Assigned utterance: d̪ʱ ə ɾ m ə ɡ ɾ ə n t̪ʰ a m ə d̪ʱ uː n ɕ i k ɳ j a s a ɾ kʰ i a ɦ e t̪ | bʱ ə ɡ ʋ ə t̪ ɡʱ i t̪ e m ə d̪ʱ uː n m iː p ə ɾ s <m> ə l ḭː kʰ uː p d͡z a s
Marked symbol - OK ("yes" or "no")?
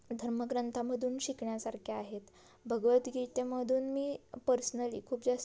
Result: no